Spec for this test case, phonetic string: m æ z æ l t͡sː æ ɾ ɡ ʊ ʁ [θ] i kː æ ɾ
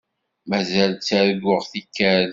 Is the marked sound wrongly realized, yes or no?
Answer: no